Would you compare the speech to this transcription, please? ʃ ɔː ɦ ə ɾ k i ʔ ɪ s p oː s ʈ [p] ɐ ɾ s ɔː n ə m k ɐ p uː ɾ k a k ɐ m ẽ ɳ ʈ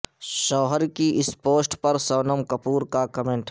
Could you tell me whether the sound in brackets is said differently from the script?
no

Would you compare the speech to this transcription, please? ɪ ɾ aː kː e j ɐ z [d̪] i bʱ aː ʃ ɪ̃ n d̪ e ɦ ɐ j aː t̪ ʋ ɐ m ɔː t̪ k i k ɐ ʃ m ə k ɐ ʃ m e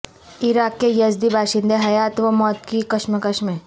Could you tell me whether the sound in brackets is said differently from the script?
no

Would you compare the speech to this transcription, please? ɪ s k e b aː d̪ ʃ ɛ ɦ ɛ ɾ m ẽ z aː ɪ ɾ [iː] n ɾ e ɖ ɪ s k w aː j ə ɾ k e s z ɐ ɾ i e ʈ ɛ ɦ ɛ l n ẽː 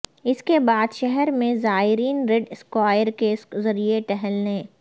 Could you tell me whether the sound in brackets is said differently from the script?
no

